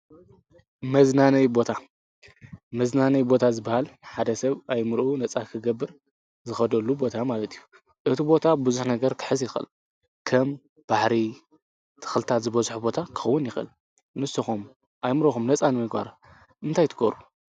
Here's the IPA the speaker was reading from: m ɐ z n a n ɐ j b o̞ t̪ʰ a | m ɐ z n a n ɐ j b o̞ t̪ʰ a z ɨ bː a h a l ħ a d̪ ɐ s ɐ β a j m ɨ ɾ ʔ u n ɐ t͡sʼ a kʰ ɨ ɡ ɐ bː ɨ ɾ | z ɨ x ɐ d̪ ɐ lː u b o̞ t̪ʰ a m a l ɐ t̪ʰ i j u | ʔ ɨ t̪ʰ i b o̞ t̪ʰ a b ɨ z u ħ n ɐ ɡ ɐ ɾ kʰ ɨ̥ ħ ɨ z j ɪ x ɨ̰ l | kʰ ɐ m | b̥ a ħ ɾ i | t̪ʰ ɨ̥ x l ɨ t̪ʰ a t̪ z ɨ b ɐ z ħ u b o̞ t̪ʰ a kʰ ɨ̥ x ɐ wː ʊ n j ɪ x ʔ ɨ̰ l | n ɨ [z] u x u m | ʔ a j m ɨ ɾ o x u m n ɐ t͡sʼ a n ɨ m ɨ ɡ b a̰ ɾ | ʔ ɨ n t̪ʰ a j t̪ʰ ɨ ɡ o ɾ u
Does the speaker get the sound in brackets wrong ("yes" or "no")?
yes